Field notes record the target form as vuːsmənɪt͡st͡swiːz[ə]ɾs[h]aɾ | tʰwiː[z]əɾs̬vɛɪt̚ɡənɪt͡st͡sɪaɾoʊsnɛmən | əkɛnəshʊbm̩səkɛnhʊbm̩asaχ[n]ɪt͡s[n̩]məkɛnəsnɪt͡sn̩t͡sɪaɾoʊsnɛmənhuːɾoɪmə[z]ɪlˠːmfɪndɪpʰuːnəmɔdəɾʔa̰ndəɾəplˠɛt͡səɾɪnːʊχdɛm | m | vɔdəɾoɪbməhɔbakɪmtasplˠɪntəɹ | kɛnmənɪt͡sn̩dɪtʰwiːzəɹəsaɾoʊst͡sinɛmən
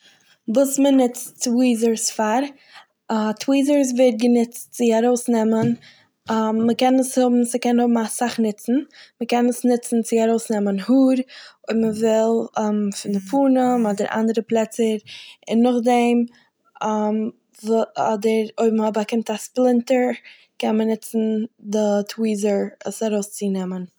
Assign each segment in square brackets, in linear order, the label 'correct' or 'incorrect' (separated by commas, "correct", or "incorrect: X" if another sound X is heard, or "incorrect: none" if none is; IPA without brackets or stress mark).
correct, incorrect: f, correct, correct, correct, incorrect: v